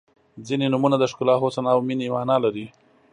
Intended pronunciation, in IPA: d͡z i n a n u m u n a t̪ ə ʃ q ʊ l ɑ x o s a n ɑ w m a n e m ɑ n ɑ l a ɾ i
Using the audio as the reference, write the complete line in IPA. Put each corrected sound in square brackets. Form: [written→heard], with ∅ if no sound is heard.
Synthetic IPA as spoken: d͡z i n [a→e] n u m u n a [t̪→d̪] ə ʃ [q→k] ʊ l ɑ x o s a n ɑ w m [a→i] n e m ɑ n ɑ l a ɾ i